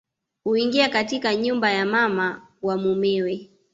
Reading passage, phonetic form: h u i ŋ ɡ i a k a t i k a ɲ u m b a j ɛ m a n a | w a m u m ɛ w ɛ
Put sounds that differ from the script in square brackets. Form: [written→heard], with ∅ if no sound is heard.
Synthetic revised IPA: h u i ŋ ɡ i a k a t i k a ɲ u m b a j [ɛ→a] m a [n→m] a | w a m u m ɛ w ɛ